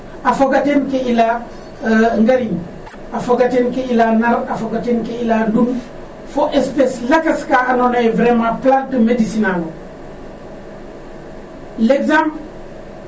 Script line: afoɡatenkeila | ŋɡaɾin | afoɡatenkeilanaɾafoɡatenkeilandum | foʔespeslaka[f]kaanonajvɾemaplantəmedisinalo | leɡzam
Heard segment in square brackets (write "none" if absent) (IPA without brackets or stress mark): s